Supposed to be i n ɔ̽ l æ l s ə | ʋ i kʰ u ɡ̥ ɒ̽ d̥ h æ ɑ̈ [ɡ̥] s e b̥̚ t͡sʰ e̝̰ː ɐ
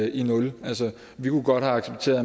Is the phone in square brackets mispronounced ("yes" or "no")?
no